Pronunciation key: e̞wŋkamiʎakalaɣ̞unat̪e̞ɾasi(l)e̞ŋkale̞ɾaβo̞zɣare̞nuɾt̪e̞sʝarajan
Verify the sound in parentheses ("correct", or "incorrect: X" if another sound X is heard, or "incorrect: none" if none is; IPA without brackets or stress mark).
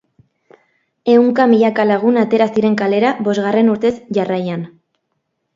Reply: incorrect: ɾ